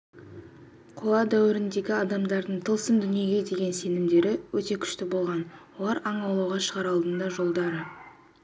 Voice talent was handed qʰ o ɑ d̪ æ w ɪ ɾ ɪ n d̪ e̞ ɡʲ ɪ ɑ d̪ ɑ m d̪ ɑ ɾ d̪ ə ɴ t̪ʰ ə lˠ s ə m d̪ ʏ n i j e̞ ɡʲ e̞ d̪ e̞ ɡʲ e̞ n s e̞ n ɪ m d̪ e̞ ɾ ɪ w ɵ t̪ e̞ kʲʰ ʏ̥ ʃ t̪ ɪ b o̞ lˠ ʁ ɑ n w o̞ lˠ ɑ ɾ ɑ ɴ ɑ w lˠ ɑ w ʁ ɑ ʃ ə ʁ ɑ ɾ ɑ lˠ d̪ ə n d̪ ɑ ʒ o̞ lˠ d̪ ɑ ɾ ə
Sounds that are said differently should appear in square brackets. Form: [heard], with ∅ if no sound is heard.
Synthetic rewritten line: qʰ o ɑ d̪ æ w ɪ ɾ ɪ n d̪ e̞ ɡʲ ɪ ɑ d̪ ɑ m d̪ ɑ ɾ d̪ ə ɴ t̪ʰ ə lˠ s ə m d̪ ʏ n i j e̞ ɡʲ e̞ d̪ e̞ ɡʲ e̞ n s e̞ n ɪ m d̪ e̞ ɾ ɪ w ɵ t̪ e̞ kʲʰ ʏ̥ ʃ t̪ ɪ b o̞ lˠ ʁ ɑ n w o̞ lˠ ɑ ɾ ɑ ɴ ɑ w lˠ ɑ w ʁ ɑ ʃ ə ʁ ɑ ɾ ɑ lˠ d̪ ə n d̪ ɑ ʒ o̞ lˠ d̪ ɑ ɾ ə